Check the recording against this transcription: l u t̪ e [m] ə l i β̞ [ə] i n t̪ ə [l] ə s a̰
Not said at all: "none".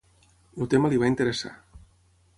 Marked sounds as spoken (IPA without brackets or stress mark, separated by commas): m, a, ɾ